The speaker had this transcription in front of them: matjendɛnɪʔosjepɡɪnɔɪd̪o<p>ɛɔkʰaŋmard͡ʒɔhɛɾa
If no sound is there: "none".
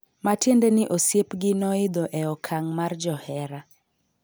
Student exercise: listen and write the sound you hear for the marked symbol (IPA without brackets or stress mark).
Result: ʔ